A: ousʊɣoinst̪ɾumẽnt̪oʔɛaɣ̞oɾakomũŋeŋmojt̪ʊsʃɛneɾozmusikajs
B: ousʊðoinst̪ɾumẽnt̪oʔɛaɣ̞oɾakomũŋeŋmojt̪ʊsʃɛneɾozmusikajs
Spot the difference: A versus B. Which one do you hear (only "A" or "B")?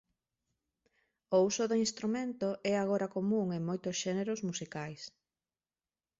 B